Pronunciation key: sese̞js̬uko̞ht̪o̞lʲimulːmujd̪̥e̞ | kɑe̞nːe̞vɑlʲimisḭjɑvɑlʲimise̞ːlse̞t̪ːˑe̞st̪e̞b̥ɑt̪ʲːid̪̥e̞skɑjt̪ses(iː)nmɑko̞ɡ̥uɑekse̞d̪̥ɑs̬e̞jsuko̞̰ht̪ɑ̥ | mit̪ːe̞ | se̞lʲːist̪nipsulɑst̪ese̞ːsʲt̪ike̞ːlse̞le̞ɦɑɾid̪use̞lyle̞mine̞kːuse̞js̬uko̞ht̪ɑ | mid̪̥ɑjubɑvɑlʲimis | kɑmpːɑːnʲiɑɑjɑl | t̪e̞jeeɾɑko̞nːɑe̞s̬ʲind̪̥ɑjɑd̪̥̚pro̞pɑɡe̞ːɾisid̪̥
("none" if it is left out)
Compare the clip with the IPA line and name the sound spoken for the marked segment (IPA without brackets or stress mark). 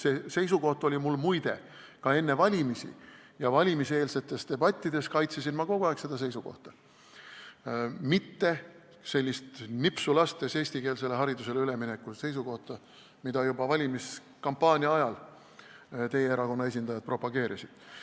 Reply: i